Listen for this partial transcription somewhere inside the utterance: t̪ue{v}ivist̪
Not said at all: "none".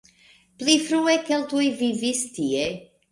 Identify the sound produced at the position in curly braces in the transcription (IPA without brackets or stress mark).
v